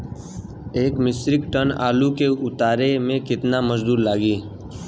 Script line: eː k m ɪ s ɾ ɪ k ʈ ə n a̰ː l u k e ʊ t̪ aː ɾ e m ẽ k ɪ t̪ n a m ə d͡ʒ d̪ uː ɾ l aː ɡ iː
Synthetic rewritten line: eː k m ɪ s ɾ ɪ k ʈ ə n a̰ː l u k e ʊ t̪ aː ɾ e m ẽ k ɪ t̪ n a m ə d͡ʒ d̪ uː ɾ l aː ɡ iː